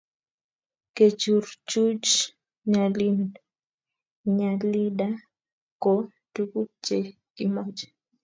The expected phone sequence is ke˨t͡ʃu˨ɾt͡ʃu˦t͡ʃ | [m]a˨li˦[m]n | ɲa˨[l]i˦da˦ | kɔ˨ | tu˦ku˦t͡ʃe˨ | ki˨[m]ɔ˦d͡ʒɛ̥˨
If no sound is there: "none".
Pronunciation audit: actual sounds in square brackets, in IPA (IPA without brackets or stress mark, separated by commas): ɲ, none, l, m